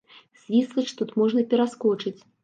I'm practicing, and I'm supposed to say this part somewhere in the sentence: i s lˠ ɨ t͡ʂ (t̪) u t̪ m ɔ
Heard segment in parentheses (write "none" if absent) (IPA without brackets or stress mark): t̪